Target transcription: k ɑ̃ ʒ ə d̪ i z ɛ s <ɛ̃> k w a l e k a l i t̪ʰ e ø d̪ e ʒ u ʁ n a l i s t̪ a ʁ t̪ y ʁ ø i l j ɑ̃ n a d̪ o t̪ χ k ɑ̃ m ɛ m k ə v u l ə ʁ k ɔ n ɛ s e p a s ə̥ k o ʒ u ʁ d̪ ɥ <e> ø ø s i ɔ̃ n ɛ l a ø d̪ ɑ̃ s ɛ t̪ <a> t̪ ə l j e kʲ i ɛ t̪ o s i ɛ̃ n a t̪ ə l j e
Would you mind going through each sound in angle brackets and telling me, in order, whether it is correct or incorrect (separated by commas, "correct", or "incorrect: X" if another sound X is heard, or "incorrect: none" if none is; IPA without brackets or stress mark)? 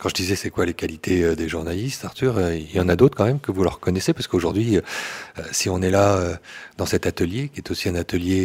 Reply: incorrect: ɛ, incorrect: i, correct